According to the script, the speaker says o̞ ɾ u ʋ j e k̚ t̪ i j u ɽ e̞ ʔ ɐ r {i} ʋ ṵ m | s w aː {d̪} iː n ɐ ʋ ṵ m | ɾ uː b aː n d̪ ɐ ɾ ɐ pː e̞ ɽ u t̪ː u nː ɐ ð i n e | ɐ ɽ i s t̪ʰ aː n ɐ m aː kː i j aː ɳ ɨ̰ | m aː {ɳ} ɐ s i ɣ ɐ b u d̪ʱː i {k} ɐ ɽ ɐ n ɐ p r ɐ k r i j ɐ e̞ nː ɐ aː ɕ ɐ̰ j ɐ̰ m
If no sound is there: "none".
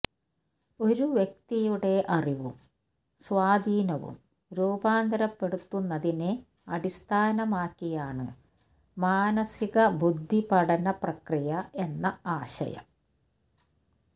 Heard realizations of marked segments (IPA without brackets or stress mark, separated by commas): i, d̪, n, p